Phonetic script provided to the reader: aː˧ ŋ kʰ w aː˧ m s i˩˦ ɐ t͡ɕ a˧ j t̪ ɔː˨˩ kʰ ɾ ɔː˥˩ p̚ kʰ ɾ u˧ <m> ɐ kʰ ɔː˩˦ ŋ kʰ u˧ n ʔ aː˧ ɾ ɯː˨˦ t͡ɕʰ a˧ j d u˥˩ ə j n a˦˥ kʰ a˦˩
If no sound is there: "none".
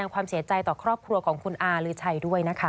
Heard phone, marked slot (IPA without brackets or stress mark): none